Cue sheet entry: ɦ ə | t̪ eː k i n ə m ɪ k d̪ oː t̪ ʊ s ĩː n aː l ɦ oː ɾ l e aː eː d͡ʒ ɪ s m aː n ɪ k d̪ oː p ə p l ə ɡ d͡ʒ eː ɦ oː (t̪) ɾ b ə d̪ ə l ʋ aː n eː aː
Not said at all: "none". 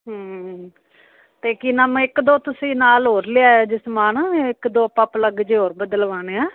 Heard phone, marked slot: none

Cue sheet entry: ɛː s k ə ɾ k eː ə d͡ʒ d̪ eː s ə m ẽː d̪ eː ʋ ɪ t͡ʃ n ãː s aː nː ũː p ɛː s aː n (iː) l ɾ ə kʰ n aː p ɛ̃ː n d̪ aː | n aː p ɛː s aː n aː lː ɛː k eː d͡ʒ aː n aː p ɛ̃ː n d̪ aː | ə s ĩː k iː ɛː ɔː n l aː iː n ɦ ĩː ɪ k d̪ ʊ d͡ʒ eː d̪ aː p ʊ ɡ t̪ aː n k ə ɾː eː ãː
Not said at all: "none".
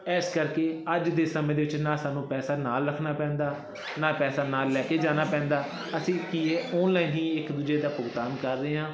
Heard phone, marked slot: aː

